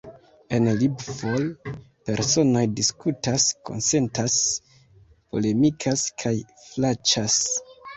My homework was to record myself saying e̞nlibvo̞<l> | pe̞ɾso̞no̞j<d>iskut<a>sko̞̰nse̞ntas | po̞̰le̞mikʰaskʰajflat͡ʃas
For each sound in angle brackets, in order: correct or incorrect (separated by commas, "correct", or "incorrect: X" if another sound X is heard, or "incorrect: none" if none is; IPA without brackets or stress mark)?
correct, correct, correct